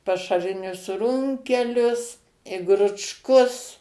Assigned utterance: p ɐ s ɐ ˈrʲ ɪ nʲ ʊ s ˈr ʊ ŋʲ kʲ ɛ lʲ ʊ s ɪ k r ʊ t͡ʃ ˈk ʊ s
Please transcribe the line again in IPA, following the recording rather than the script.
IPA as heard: p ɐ ʃ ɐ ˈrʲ ɪ nʲ ʊ s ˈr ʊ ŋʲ kʲ ɛ lʲ ʊ s ɪ ɡ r ʊ t͡ʃ ˈk ʊ s